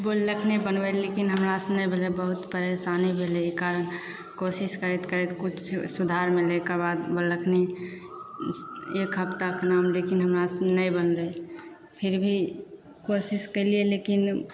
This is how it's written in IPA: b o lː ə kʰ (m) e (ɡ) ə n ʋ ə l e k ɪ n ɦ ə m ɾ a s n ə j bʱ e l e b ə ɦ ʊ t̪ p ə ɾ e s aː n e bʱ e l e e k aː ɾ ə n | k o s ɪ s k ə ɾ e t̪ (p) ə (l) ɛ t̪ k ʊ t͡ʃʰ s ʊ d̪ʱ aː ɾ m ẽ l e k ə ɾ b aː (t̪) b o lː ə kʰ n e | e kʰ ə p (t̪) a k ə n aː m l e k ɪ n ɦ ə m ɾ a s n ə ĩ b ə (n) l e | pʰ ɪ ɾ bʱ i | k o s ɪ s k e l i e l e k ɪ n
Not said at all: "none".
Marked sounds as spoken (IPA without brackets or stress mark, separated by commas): n, b, k, ɾ, d̪, t̪, n